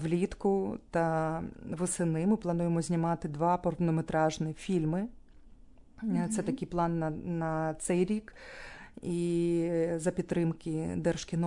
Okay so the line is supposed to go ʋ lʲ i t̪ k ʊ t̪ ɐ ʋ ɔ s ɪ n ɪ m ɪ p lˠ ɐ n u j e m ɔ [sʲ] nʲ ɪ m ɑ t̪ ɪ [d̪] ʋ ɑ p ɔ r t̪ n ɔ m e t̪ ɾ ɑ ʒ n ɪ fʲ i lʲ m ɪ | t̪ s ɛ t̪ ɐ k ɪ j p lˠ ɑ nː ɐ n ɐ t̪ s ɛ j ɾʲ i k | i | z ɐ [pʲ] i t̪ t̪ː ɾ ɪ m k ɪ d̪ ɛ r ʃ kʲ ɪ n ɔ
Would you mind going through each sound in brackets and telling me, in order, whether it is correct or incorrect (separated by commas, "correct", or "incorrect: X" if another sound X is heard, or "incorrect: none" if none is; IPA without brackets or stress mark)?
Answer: incorrect: zʲ, correct, correct